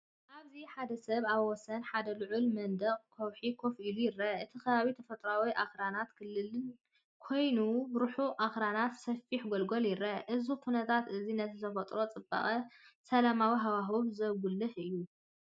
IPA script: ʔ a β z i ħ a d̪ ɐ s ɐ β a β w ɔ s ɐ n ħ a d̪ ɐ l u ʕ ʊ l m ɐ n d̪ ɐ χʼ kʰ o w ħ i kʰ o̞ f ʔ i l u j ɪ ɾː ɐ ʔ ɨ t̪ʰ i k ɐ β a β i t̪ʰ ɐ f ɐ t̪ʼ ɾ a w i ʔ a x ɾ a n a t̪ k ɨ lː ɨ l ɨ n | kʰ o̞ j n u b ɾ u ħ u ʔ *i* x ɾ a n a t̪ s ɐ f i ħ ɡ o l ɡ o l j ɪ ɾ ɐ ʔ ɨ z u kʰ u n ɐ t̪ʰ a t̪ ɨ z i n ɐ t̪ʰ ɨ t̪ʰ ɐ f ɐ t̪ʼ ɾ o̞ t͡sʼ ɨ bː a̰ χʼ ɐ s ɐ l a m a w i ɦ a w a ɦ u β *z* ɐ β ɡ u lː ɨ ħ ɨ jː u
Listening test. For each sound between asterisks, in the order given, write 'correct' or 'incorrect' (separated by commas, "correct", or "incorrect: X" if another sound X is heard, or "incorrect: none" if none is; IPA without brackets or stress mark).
incorrect: a, correct